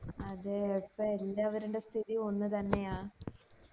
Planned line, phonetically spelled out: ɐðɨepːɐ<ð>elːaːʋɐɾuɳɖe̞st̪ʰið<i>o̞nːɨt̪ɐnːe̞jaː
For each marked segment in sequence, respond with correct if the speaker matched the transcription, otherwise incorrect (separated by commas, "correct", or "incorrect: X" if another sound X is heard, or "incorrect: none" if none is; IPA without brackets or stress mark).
incorrect: none, correct